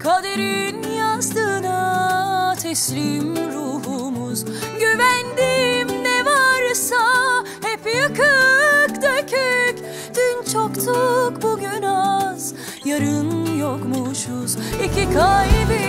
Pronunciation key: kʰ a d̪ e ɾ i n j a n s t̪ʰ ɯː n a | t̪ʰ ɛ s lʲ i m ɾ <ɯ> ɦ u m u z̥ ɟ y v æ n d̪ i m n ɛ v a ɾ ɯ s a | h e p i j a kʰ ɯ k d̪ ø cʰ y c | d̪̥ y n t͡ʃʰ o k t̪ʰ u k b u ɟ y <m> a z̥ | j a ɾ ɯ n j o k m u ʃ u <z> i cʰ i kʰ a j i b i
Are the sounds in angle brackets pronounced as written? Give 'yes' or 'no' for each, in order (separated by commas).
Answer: no, no, yes